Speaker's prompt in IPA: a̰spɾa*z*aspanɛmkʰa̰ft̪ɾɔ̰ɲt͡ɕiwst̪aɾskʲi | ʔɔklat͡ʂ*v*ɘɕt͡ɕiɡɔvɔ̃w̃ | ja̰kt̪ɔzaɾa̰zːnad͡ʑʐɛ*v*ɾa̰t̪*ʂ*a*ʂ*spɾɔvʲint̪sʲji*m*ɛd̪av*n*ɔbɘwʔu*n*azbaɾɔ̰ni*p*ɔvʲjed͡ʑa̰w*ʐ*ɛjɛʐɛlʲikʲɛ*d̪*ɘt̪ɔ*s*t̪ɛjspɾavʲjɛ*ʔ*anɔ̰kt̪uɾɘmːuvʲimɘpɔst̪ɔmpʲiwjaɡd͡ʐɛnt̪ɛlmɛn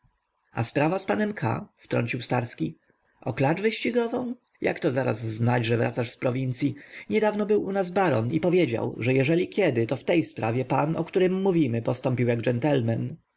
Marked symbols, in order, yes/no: no, yes, yes, no, yes, no, yes, yes, yes, yes, yes, no, no

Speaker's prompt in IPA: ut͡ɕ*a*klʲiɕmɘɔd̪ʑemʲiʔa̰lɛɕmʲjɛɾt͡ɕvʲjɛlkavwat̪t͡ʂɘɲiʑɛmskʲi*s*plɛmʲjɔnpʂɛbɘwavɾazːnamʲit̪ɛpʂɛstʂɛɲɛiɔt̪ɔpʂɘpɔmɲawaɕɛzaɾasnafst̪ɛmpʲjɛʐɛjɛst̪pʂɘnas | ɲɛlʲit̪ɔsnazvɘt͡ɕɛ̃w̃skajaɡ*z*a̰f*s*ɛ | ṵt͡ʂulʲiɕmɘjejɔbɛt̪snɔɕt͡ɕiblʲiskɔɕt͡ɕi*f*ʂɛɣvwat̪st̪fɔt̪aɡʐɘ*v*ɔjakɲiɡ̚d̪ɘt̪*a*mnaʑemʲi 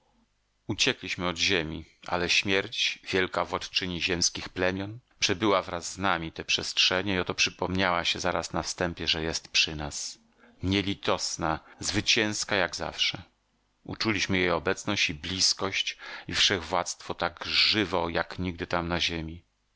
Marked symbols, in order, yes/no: no, no, yes, no, yes, yes, yes

